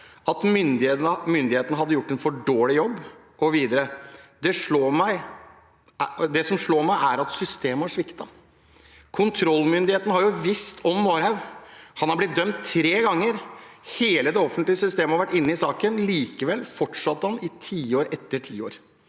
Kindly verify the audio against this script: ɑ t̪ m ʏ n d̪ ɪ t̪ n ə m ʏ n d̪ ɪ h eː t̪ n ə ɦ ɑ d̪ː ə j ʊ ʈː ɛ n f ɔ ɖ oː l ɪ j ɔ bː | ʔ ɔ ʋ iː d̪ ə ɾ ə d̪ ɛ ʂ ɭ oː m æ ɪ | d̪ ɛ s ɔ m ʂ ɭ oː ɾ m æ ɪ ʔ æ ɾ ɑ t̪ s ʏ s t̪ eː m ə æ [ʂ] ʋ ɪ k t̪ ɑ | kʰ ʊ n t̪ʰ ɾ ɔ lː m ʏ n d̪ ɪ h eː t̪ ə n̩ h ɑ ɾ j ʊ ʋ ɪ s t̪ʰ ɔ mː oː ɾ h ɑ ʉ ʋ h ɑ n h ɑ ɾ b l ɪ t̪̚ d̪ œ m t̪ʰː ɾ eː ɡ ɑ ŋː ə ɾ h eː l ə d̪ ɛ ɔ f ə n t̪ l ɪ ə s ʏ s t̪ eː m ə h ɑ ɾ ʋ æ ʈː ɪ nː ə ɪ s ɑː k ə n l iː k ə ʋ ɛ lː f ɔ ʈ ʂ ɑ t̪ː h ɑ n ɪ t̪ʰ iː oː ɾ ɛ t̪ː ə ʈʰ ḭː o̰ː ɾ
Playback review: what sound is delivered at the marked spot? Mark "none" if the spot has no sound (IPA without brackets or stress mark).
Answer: ʂ